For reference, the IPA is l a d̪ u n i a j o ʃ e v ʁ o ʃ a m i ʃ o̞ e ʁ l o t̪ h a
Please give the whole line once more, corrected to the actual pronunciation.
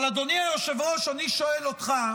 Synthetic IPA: l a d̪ o n i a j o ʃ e v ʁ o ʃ a n i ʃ o̞ e l o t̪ χ a